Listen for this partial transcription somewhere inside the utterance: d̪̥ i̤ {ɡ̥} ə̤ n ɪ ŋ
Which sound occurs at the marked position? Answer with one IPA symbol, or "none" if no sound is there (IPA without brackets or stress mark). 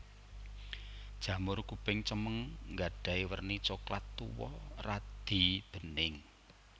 b̥